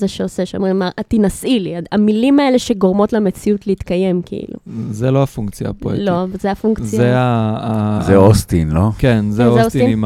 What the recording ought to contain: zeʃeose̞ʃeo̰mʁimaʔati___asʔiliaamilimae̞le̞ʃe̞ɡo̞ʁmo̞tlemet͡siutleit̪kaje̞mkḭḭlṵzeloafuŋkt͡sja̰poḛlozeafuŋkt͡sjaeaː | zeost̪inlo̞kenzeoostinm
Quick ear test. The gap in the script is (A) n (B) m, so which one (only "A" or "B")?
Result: A